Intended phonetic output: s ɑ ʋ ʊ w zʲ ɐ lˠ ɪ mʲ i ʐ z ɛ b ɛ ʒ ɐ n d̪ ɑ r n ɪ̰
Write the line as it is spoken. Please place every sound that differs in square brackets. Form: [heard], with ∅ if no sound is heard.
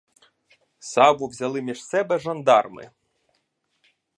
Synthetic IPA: s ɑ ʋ ʊ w zʲ ɐ lˠ ɪ mʲ i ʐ [s] ɛ b ɛ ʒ ɐ n d̪ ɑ r [m] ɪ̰